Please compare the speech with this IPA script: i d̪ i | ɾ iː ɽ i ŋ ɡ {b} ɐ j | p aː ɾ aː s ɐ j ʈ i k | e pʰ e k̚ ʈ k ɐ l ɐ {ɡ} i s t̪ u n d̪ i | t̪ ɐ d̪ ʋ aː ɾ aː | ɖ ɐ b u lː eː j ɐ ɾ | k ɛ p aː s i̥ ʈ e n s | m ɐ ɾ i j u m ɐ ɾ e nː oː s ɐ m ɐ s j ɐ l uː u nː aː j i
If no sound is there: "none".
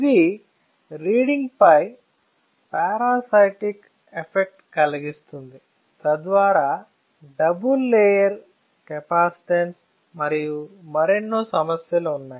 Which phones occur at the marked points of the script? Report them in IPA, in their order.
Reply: p, ɡ

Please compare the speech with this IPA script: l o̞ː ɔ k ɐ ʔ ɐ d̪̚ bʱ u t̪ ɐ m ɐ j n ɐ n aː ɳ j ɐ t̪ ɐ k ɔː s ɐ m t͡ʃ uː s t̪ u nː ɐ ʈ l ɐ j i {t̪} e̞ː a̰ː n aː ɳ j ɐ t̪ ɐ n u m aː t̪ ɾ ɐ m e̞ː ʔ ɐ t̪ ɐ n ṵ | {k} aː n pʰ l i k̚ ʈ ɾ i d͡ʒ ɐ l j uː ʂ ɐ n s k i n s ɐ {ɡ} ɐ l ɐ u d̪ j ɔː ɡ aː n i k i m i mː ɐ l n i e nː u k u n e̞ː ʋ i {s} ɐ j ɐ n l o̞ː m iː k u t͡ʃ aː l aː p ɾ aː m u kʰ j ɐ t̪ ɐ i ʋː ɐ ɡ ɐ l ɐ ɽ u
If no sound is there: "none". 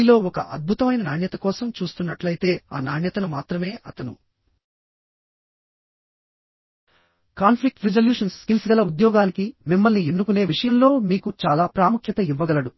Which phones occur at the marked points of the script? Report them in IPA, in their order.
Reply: t̪, k, ɡ, ʂ

